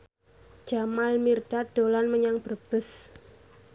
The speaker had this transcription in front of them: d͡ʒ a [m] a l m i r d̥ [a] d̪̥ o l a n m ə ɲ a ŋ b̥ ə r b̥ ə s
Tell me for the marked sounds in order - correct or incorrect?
correct, correct

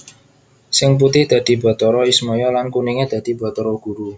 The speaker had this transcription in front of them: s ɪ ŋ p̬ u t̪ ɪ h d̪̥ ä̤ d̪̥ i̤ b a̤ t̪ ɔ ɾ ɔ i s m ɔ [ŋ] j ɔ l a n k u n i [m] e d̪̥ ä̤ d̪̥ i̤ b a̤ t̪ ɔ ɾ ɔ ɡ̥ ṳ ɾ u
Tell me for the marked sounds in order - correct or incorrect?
incorrect, incorrect

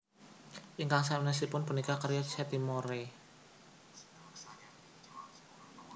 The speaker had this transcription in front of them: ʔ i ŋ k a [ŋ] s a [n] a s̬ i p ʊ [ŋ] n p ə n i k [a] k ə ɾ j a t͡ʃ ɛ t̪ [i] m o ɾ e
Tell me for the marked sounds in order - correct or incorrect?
correct, correct, incorrect, correct, correct

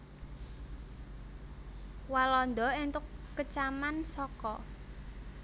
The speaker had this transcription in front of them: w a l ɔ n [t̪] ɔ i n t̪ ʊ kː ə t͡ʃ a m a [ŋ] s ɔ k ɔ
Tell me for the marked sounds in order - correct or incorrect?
incorrect, incorrect

